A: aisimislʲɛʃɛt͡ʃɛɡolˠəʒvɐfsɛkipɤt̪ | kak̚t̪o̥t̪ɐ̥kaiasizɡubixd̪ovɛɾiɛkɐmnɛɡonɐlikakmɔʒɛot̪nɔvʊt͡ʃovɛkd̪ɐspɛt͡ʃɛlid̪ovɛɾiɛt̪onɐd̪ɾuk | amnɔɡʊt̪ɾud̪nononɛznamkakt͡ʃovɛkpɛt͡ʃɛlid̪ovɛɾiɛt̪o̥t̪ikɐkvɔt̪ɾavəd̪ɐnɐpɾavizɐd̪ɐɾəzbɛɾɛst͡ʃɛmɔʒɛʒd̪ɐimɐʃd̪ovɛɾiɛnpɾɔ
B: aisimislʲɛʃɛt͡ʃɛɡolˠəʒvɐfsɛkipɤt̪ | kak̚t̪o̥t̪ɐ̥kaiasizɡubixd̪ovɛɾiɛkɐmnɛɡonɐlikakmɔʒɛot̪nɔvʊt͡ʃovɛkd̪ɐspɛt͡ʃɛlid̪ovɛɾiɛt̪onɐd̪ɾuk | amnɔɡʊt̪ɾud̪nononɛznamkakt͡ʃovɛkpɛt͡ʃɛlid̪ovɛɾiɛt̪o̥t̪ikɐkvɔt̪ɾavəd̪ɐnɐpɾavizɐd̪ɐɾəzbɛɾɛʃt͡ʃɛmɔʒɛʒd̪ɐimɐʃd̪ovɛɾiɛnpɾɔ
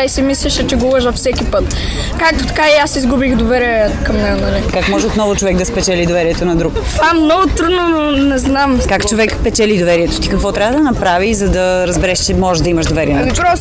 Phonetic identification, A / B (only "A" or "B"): B